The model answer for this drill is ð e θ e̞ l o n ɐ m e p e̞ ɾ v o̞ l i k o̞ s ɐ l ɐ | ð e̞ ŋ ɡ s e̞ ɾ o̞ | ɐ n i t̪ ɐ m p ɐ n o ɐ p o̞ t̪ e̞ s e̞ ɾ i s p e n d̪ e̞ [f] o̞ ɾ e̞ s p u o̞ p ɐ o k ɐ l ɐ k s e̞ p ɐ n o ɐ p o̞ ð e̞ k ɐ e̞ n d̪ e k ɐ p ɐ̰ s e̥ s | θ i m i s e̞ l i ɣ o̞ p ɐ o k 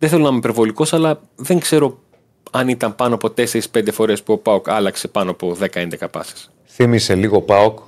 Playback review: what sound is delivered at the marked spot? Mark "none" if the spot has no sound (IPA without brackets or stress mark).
f